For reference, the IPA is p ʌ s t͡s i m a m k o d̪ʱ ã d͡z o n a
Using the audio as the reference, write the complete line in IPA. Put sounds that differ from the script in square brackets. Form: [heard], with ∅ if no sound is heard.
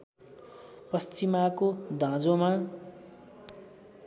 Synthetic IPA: p ʌ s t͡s i m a [∅] k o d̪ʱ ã d͡z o [m] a